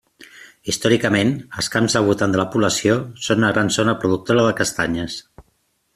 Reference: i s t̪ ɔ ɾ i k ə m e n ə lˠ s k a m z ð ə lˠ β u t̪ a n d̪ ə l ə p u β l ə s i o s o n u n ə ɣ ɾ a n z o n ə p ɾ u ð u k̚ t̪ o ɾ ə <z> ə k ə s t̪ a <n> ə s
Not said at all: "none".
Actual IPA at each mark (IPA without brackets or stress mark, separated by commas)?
ð, ɲ